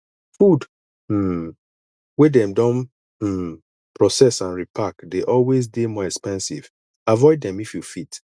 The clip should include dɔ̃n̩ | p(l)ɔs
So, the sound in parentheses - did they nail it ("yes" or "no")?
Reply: no